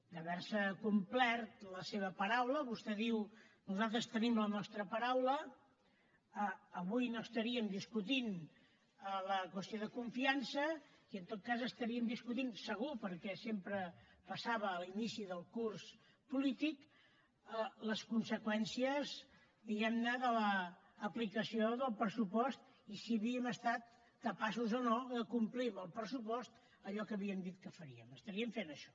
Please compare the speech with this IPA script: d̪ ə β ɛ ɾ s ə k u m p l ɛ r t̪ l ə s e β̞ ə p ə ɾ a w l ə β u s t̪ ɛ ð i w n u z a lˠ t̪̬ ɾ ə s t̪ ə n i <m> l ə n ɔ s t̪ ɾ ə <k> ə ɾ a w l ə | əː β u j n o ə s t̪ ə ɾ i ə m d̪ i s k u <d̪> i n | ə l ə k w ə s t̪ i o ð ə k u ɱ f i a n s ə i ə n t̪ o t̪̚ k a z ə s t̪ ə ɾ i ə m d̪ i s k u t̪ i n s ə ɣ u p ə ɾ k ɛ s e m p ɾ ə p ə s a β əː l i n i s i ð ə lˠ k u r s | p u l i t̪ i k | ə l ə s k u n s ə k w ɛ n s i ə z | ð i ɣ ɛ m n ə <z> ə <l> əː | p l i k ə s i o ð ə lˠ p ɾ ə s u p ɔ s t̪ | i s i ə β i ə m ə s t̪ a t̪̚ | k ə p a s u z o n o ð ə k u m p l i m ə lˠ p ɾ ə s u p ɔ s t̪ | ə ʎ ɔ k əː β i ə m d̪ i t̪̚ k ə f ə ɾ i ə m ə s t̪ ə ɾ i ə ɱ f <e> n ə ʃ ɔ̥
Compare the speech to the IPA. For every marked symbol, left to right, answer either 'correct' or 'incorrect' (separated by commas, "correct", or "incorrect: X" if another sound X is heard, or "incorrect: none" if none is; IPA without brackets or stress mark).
correct, incorrect: p, incorrect: t̪, incorrect: ð, correct, correct